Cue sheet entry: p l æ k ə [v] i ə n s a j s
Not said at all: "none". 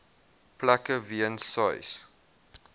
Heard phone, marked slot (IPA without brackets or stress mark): v